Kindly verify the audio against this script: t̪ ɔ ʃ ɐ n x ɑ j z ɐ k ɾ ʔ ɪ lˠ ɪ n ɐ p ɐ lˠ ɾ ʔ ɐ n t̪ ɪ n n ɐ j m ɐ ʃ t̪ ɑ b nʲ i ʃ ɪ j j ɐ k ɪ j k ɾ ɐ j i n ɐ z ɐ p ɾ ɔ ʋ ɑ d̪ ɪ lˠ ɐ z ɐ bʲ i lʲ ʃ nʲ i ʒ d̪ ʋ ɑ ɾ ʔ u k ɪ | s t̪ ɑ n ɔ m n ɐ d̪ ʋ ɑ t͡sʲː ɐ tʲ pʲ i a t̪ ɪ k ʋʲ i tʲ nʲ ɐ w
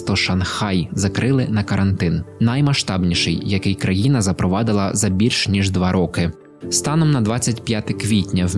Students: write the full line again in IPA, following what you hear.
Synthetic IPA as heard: t̪ ɔ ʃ ɐ n x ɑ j z ɐ k ɾ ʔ ɪ lˠ ɪ n ɐ k ɐ ɾ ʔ ɐ n t̪ ɪ n n ɐ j m ɐ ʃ t̪ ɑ b nʲ i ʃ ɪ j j ɐ k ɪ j k ɾ ɐ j i n ɐ z ɐ p ɾ ɔ ʋ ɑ d̪ ɪ lˠ ɐ z ɐ bʲ i lʲ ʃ nʲ i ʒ d̪ ʋ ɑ ɾ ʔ ɔ k ɪ | s t̪ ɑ n ɔ m n ɐ d̪ ʋ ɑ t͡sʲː ɐ tʲ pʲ j a t̪ ɪ k ʋʲ i tʲ nʲ ɐ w